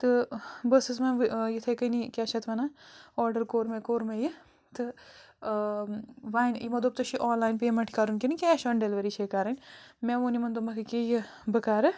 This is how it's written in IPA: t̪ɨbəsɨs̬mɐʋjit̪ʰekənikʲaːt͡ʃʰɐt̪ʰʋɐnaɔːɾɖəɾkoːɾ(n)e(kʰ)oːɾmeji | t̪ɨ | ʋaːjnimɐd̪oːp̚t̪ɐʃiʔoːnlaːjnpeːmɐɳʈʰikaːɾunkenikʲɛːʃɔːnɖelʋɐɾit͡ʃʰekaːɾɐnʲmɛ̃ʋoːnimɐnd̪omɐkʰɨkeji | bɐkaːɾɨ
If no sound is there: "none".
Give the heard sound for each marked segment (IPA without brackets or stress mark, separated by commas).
m, k